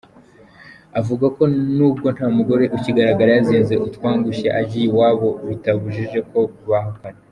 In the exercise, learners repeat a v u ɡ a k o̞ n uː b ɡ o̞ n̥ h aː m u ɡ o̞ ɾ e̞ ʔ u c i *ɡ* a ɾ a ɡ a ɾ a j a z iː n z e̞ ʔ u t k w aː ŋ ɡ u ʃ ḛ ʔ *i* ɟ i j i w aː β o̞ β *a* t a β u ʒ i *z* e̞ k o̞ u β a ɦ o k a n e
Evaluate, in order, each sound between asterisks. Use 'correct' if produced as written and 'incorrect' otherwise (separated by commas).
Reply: correct, incorrect, incorrect, incorrect